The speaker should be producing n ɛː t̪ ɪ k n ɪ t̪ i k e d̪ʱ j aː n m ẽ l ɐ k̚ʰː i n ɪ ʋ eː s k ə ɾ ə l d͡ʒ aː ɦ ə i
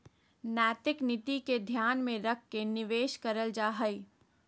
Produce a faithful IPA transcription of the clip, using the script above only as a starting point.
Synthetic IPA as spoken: n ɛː t̪ ɪ k n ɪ t̪ i k e d̪ʱ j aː n m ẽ ɾ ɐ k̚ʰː e n ɪ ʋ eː ʃ k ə ɾ ə l d͡ʒ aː ɦ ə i